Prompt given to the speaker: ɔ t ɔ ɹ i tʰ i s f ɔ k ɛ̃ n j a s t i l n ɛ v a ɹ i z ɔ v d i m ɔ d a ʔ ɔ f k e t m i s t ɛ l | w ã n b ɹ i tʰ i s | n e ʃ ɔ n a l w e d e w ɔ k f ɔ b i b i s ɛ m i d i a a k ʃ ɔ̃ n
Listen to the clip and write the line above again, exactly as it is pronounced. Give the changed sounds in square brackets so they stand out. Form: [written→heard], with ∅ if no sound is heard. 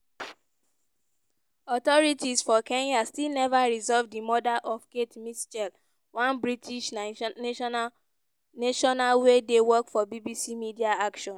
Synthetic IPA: ɔ t ɔ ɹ i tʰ i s f ɔ k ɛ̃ n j a s t i l n ɛ v a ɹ i z ɔ v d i m ɔ d a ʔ ɔ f k e t m i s [t→t͡ʃ] ɛ l | w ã n b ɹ i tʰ i [s→ʃ] | n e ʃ ɔ n a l w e d e w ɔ k f ɔ b i b i s [ɛ→i] m i d i a a k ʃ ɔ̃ n